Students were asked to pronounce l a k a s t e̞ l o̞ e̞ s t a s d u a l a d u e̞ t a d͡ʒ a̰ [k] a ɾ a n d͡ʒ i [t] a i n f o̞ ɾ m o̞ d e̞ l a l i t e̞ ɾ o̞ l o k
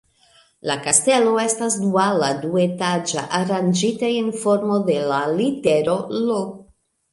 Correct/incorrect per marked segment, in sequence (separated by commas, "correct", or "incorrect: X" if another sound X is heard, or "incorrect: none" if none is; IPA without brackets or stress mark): incorrect: ʔ, correct